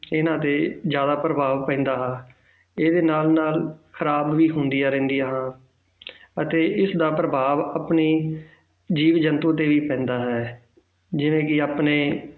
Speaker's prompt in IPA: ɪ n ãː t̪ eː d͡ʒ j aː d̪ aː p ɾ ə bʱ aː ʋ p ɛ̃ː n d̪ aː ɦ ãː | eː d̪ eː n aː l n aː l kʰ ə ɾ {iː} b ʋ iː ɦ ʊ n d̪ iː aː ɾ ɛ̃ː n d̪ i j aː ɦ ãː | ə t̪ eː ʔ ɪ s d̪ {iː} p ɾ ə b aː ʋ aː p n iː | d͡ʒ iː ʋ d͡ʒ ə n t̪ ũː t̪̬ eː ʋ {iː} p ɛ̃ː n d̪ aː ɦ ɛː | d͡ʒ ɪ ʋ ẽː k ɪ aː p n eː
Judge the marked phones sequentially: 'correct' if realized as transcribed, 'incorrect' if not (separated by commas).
incorrect, incorrect, correct